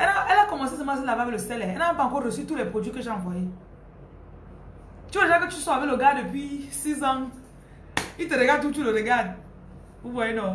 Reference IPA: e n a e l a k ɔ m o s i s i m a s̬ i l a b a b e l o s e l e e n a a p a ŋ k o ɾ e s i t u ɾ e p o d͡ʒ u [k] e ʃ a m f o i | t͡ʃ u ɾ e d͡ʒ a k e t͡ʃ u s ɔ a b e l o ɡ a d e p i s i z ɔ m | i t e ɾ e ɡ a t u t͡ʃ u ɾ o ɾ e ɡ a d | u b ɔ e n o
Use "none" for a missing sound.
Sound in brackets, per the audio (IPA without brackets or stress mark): k